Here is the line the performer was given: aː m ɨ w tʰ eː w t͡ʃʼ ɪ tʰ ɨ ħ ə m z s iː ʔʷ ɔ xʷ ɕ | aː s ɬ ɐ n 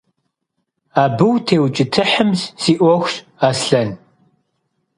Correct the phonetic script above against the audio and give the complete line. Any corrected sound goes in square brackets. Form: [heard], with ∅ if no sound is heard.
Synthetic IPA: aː [b] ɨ w tʰ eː w t͡ʃʼ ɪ tʰ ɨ ħ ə m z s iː ʔʷ ɔ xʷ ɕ | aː s ɬ ɐ n